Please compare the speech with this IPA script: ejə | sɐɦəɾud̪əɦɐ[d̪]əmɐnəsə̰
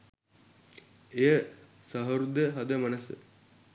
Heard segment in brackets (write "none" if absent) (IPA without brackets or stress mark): d̪